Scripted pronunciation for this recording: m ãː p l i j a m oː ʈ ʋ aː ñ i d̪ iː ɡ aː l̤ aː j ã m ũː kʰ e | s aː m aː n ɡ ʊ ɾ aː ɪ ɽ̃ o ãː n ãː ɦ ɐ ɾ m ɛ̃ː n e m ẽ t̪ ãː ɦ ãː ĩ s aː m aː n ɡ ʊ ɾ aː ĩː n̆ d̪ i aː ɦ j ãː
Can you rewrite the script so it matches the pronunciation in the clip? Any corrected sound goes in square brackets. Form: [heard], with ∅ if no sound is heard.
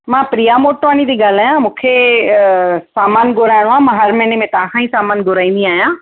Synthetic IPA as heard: m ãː p [ɾ] i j a m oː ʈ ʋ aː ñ i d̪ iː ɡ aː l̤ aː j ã m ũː kʰ e | s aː m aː n ɡ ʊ ɾ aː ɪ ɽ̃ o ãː [m] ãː ɦ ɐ ɾ m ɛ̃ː n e m ẽ t̪ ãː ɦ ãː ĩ s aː m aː n ɡ ʊ ɾ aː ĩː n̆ d̪ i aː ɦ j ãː